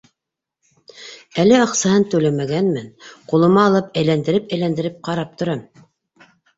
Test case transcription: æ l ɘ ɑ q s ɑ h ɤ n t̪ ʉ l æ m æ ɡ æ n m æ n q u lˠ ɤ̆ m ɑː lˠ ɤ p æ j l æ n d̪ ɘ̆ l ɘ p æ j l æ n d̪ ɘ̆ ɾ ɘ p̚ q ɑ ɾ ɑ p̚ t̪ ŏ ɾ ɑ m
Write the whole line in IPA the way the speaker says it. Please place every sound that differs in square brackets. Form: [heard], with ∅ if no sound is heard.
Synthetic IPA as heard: æ l ɘ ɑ q s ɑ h ɤ n t̪ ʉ l æ m æ ɡ æ n m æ n q u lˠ ɤ̆ m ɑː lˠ ɤ p æ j l æ n d̪ ɘ̆ [ɾ] ɘ p æ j l æ n d̪ ɘ̆ ɾ ɘ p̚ q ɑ ɾ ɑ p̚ t̪ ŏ ɾ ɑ m